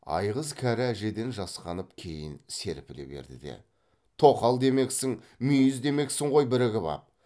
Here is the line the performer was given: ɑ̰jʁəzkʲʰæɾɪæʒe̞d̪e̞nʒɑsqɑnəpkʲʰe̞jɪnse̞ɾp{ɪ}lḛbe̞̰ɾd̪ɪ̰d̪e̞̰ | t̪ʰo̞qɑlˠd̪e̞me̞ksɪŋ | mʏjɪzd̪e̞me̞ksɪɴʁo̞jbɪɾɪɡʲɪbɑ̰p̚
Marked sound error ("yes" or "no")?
no